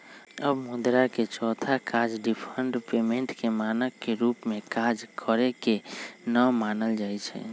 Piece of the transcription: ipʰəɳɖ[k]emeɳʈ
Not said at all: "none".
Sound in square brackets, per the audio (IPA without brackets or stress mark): p